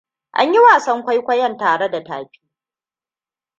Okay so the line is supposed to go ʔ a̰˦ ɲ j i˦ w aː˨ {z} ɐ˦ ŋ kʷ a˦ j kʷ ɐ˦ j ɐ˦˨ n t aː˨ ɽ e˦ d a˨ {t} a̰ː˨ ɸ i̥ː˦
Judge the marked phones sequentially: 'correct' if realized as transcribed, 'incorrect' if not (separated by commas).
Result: incorrect, correct